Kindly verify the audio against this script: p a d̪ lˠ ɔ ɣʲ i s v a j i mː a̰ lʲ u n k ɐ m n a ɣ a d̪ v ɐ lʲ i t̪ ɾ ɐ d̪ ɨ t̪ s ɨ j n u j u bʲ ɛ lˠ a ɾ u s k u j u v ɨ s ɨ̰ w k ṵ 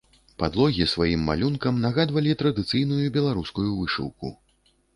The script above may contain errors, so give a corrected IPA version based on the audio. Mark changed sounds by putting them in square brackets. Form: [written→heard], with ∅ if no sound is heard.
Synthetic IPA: p a d̪ lˠ ɔ ɣʲ i s v a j i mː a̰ lʲ u n k ɐ m n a ɣ a d̪ v ɐ lʲ i t̪ ɾ ɐ d̪ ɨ t̪ s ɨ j n u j u bʲ ɛ lˠ a ɾ u s k u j u v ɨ [s→ʂ] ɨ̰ w k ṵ